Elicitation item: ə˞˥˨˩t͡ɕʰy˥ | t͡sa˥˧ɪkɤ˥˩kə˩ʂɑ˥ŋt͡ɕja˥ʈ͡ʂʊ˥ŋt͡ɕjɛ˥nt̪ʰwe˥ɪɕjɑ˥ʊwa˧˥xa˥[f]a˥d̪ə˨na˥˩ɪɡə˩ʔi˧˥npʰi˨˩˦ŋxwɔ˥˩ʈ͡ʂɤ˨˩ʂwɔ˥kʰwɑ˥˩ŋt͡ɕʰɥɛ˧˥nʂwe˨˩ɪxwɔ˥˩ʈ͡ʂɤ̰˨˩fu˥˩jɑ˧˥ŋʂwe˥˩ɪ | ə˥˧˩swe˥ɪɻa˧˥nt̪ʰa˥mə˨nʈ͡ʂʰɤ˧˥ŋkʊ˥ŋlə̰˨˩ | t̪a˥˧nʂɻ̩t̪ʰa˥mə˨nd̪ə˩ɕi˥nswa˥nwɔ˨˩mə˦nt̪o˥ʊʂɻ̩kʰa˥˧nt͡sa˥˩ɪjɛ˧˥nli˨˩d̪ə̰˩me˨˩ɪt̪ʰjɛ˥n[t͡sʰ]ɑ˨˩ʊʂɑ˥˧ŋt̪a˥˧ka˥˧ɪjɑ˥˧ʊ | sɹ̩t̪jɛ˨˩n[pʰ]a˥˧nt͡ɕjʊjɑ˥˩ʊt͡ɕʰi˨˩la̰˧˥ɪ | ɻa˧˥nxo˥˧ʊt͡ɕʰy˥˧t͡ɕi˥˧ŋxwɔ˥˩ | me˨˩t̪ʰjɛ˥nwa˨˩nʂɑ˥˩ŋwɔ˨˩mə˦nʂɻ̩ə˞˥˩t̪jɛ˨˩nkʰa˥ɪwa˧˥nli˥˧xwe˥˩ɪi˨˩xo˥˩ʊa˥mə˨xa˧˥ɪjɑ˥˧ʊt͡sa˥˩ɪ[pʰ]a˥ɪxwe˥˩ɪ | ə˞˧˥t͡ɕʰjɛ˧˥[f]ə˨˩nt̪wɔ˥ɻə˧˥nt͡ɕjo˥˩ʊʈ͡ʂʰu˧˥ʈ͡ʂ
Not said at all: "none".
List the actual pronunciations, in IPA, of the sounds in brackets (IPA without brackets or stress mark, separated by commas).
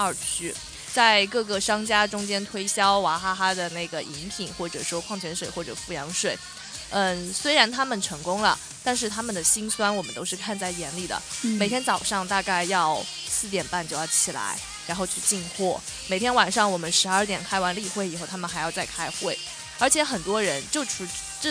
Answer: x, t͡s, p, kʰ, x